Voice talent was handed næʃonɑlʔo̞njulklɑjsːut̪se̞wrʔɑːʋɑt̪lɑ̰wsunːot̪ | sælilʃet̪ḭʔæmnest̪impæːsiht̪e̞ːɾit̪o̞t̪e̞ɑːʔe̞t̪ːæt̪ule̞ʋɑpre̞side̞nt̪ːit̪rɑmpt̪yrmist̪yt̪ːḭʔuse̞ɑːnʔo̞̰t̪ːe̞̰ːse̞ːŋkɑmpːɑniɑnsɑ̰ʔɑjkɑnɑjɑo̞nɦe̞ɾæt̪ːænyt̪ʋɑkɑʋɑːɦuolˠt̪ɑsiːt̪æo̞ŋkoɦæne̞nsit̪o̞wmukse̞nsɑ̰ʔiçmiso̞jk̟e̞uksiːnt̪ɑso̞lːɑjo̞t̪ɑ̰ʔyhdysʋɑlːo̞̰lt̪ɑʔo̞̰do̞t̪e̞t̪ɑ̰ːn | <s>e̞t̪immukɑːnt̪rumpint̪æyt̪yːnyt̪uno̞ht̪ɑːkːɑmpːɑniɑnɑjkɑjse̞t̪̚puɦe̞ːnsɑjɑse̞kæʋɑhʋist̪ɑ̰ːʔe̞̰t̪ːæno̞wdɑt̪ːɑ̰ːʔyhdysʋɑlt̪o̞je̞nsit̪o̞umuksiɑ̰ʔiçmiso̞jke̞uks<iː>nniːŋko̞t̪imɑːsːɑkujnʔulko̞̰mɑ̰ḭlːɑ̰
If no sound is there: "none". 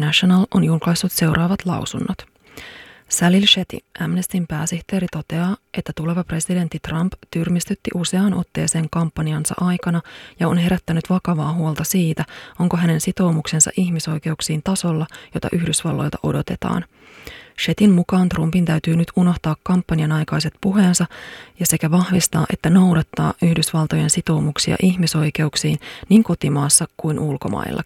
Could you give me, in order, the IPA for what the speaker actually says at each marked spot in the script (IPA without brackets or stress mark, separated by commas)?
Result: ʃ, iː